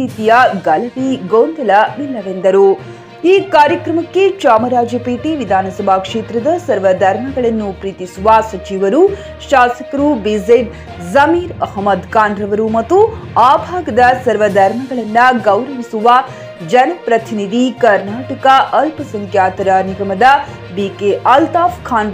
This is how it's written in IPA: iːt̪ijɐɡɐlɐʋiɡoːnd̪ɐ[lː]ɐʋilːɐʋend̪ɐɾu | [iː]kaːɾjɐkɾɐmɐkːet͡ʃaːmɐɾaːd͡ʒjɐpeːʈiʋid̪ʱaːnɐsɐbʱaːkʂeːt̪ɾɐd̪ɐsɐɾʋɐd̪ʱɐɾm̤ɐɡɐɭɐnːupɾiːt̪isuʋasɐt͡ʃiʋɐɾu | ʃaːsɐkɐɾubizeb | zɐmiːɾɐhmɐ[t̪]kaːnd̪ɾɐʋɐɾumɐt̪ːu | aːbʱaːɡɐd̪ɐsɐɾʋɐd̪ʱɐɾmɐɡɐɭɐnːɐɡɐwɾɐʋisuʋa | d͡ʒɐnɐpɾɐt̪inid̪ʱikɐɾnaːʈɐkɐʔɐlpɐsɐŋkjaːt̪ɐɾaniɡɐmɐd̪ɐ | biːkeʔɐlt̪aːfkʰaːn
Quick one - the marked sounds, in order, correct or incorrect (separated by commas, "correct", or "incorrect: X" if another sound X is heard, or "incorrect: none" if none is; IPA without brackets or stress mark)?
incorrect: l, correct, incorrect: d̪